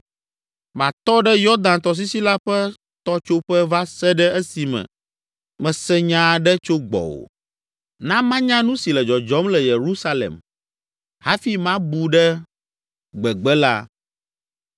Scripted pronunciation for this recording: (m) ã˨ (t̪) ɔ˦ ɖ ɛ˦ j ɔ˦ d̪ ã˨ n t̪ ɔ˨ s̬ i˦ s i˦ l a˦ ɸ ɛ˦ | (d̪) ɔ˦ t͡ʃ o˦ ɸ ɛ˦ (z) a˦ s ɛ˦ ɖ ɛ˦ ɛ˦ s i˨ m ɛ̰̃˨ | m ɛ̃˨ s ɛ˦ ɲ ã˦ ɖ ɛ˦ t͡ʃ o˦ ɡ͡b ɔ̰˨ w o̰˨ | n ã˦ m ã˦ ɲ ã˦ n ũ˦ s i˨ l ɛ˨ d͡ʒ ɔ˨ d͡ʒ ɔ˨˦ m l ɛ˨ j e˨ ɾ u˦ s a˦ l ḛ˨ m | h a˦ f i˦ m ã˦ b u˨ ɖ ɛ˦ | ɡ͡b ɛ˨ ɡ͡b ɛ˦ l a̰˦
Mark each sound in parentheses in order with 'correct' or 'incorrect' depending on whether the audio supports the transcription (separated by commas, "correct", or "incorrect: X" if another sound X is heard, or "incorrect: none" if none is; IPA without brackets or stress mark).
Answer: correct, correct, incorrect: t̪, incorrect: v